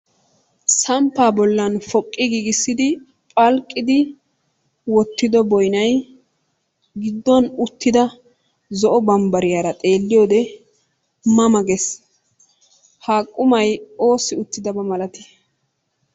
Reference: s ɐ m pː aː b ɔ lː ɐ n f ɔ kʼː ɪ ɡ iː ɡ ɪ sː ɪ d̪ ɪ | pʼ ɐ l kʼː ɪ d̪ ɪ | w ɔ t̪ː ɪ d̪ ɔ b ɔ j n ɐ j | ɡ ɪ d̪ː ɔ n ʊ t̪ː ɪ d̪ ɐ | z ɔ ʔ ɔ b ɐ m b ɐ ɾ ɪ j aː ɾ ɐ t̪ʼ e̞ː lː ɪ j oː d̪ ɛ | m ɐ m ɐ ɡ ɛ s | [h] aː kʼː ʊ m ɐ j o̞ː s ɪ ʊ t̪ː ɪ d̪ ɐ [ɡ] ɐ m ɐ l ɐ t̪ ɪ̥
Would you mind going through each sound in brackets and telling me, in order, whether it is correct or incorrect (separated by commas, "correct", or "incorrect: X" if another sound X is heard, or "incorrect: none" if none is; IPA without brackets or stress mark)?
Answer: correct, incorrect: b